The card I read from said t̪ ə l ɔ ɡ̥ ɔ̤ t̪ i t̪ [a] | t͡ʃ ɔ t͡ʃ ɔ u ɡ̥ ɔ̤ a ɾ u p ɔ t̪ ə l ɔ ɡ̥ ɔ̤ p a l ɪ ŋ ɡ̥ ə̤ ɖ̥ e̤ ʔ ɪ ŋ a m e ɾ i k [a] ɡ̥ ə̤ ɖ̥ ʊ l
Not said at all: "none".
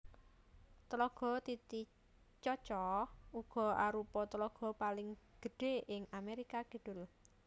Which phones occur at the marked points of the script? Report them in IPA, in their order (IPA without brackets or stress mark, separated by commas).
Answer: i, a